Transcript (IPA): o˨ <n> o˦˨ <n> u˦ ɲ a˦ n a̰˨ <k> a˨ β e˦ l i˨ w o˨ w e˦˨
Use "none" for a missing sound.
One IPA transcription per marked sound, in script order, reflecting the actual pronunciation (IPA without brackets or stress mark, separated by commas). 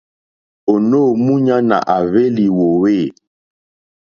n, m, ʔ